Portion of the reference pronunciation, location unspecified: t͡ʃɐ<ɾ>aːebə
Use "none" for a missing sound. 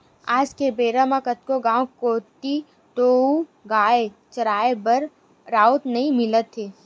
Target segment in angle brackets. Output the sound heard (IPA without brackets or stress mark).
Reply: ɾ